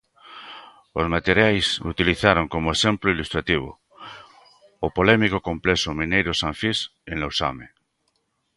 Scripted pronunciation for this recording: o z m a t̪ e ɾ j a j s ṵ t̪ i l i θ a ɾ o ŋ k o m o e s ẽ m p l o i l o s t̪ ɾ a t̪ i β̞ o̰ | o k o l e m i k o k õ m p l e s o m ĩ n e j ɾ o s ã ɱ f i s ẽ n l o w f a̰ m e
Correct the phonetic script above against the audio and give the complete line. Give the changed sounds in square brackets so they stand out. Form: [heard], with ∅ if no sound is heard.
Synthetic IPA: o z m a t̪ e ɾ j a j s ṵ t̪ i l i θ a ɾ o ŋ k o m o e s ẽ m p l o i l [u] s t̪ ɾ a t̪ i β̞ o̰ | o [p] o l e m i k o k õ m p l e s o m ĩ n e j ɾ o s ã ɱ f i s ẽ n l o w [s] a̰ m e